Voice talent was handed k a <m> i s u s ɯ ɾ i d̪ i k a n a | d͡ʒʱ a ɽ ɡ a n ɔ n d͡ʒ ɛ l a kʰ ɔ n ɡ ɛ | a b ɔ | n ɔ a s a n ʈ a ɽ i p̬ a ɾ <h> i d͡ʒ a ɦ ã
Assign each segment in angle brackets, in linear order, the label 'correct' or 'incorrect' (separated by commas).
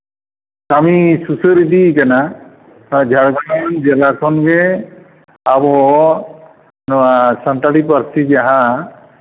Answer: correct, incorrect